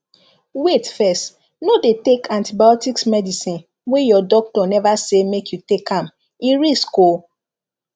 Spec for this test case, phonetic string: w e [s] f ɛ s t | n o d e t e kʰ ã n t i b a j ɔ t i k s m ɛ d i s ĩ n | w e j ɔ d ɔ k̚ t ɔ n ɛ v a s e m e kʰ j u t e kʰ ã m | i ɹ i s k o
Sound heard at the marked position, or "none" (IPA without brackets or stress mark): t